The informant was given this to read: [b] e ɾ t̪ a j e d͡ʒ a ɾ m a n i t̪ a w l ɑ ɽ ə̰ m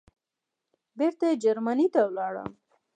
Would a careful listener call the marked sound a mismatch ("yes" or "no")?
no